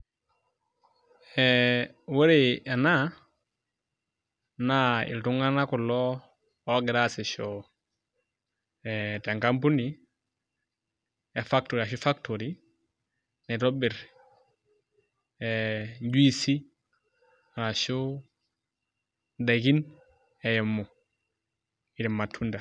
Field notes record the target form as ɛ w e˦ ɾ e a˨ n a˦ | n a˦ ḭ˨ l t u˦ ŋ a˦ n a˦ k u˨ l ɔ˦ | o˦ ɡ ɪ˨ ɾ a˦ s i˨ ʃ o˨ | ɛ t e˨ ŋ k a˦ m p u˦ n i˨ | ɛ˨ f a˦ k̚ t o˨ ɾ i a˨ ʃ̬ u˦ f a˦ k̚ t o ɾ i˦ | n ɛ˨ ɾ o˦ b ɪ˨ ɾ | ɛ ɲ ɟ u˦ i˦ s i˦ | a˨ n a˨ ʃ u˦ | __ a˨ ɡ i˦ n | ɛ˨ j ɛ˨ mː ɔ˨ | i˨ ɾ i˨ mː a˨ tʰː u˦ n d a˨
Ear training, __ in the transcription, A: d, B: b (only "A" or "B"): A